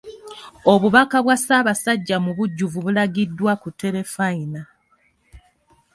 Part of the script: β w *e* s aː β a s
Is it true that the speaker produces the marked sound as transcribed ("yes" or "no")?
no